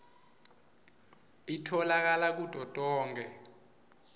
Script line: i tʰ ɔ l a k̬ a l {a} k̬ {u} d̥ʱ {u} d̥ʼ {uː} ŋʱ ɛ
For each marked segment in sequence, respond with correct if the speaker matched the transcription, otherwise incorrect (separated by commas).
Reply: correct, correct, incorrect, incorrect